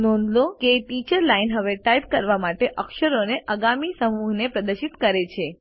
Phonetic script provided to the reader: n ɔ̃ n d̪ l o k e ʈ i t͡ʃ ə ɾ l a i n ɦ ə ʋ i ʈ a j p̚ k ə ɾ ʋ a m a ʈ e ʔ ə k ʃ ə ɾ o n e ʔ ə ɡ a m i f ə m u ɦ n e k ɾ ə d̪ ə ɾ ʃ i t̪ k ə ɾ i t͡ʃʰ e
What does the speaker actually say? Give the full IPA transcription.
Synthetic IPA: n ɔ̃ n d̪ l o k e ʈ i t͡ʃ ə ɾ l a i n ɦ ə ʋ e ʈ a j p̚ k ə ɾ ʋ a m a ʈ e ʔ ə k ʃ ə ɾ o n e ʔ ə ɡ a m i s ə m u ɦ n e p ɾ ə d̪ ə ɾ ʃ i t̪ k ə ɾ e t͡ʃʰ e